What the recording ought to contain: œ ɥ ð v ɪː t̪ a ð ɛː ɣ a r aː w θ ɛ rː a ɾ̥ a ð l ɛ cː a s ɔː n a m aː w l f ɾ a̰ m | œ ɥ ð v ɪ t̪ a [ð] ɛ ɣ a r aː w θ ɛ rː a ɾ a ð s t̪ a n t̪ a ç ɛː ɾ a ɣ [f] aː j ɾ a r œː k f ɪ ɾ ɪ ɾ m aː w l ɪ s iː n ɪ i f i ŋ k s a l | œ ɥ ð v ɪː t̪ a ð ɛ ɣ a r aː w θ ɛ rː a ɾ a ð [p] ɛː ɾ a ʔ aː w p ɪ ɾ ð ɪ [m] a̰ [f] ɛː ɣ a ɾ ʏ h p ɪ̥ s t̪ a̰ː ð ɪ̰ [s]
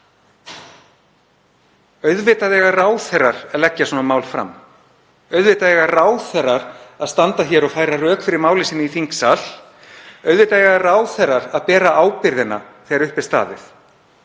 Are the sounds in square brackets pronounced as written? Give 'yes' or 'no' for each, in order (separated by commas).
yes, yes, yes, no, no, no